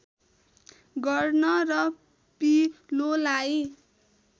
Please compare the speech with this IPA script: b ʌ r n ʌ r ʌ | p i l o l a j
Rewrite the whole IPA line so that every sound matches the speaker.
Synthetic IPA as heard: ɡ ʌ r n ʌ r ʌ | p i l o l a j